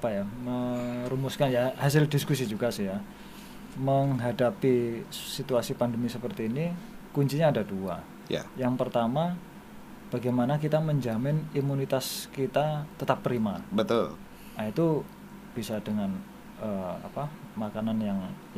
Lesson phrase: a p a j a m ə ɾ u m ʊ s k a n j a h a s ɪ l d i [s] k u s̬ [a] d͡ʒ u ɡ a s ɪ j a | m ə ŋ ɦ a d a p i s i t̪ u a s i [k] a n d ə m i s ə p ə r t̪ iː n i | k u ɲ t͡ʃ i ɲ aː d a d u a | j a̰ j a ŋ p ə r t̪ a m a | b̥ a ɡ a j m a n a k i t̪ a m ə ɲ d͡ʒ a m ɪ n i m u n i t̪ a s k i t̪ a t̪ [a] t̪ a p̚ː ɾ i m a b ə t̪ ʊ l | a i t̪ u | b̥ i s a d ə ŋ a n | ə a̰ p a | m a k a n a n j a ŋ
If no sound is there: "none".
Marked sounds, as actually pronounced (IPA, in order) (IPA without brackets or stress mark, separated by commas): s, i, p, ə